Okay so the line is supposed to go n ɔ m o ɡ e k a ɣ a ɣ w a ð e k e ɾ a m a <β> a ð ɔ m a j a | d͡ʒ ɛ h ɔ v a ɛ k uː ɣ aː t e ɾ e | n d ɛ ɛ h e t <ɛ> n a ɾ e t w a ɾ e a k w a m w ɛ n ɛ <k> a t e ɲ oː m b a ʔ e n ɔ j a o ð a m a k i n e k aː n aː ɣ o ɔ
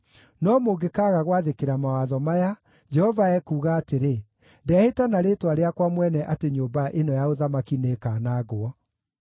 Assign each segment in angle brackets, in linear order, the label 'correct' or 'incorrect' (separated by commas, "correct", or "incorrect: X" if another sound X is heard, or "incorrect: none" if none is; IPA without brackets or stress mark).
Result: incorrect: w, incorrect: a, incorrect: ʔ